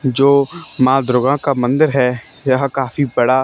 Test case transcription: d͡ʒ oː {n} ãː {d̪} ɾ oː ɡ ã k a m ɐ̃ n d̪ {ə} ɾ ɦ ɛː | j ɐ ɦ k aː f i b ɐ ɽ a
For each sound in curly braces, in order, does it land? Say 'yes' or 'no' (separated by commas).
no, yes, yes